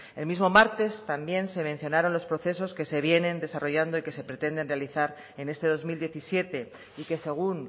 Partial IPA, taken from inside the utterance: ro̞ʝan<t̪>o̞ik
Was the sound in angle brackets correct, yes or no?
no